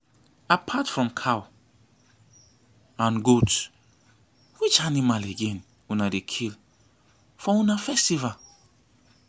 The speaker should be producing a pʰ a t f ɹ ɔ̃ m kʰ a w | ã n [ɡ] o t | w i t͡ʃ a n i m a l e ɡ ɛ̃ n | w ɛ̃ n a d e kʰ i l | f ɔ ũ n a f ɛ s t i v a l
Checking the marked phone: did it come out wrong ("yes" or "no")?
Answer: no